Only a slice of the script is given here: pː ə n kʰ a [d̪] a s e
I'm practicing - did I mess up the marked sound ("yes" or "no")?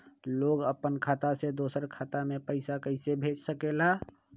yes